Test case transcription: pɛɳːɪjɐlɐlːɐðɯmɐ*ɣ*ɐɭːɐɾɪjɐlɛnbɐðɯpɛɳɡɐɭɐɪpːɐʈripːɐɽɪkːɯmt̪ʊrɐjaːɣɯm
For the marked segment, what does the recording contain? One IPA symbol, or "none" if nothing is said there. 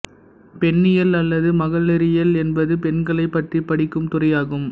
ɣ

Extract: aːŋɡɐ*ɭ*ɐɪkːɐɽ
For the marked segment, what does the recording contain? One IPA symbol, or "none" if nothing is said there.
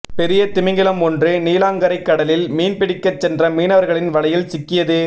ɾ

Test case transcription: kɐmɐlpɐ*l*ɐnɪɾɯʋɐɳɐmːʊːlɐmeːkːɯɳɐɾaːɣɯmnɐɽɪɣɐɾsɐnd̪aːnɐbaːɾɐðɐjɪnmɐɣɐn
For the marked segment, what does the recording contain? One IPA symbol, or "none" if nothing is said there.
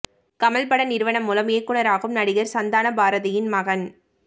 ɽ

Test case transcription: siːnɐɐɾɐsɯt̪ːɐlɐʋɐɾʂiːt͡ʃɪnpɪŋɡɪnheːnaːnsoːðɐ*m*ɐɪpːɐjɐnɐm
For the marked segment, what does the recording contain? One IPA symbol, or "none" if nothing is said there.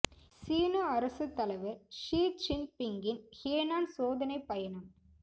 n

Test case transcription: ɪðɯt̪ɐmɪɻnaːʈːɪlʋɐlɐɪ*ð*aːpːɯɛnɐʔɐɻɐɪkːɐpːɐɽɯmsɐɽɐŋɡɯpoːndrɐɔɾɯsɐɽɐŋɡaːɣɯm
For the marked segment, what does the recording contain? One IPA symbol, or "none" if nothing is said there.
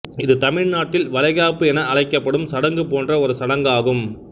ɣ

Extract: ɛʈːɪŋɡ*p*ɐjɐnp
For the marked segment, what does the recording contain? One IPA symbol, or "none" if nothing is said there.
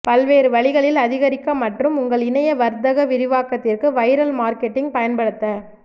p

